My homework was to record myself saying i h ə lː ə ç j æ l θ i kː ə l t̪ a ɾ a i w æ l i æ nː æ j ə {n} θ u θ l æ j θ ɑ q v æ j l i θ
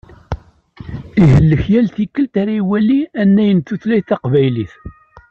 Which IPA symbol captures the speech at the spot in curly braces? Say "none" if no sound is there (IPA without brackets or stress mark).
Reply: n